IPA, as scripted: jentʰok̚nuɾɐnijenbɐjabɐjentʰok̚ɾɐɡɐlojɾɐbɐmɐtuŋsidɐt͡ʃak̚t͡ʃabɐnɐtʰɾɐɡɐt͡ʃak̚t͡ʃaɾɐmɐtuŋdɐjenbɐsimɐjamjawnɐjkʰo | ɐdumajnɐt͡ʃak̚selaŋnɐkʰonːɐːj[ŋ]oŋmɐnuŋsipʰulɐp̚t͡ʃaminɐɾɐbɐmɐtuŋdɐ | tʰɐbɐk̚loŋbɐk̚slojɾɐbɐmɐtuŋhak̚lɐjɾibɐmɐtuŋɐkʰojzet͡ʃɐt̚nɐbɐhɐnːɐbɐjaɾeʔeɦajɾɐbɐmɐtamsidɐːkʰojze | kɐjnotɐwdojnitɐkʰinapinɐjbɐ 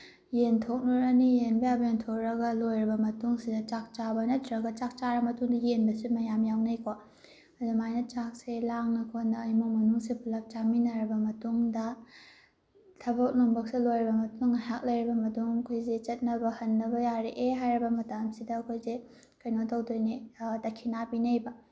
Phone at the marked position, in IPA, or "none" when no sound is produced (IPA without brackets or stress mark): m